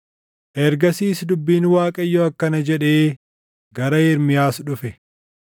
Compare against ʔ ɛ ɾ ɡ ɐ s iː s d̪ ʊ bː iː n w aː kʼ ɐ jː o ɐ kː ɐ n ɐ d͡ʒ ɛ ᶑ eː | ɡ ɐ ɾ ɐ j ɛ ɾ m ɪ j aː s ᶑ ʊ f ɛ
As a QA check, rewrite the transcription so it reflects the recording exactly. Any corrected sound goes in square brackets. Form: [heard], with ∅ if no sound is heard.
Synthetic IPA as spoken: ʔ ɛ ɾ ɡ ɐ s iː s d̪ ʊ bː iː n w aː kʼ ɐ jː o ɐ kː ɐ n ɐ d͡ʒ ɛ ᶑ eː | ɡ ɐ ɾ ɐ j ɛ ɾ m ɪ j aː s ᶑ ʊ f ɛ